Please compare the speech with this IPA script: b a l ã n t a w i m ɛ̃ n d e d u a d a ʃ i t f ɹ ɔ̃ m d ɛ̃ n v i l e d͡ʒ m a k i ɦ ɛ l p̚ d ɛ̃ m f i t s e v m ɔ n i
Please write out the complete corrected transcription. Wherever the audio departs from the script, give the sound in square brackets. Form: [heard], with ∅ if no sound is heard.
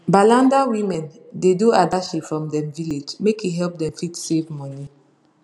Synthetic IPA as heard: b a l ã n [d] a w i m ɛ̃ n d e d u a d a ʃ i [p] f ɹ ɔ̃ m d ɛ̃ [m] v i l e d͡ʒ m [e] k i ɦ ɛ l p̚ d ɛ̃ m f i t s e v m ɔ n i